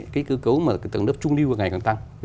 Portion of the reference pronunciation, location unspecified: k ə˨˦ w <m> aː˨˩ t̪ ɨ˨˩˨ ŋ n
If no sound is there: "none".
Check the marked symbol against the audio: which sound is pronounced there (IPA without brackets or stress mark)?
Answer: m